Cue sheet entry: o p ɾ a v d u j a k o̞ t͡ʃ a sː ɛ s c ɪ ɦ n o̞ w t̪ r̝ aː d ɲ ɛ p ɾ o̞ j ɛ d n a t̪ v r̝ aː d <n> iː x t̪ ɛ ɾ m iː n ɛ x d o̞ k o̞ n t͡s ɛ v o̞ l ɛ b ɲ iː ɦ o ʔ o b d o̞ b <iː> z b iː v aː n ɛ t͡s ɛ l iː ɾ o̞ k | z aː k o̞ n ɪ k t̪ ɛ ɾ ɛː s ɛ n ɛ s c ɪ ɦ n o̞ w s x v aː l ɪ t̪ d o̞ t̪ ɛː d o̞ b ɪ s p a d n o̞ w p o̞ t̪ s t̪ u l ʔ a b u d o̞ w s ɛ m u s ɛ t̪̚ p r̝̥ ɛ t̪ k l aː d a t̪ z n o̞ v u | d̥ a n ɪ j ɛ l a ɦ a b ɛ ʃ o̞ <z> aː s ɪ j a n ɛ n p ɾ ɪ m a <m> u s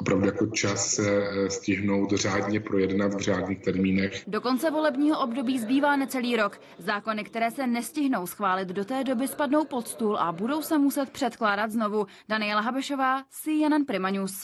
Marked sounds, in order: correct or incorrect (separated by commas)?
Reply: incorrect, correct, incorrect, incorrect